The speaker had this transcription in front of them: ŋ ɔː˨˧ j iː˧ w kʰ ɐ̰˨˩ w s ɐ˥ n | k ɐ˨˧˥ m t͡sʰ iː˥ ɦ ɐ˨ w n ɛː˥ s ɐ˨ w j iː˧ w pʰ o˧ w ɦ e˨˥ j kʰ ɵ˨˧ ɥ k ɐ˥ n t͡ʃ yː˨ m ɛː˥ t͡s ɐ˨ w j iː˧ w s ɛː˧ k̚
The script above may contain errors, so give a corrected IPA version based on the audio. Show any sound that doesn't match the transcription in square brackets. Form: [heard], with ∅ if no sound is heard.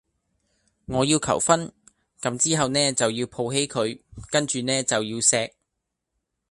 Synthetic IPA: ŋ ɔː˨˧ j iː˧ w kʰ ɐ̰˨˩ w [f] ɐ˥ n | k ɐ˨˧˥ m [t͡s] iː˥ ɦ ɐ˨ w n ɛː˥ [t͡s] ɐ˨ w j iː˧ w pʰ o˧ w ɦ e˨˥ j kʰ ɵ˨˧ ɥ k ɐ˥ n t͡ʃ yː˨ [n] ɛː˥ t͡s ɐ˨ w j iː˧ w s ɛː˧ k̚